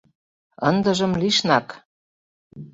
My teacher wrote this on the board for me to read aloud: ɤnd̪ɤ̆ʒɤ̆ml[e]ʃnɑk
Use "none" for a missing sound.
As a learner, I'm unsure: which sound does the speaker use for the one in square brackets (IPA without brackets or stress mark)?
i